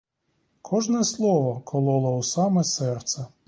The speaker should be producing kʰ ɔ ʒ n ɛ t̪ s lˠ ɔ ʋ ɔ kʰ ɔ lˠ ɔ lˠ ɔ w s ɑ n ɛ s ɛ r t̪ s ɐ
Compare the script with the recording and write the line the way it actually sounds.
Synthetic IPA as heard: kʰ ɔ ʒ n ɛ s lˠ ɔ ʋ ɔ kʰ ɔ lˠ ɔ lˠ ɔ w s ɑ m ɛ s ɛ r t̪ s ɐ